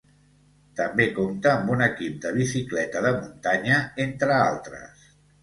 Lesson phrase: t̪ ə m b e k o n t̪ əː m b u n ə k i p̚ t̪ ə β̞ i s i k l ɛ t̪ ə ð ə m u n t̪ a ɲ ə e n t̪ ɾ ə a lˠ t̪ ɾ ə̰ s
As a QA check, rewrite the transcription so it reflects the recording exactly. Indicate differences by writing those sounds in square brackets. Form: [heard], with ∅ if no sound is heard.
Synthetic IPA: t̪ ə m b e k o [m] t̪ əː m b u n ə k i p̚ [d̪] ə β̞ i s i k l ɛ t̪ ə ð ə m u n t̪ a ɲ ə e n t̪ ɾ ə a lˠ t̪ ɾ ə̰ s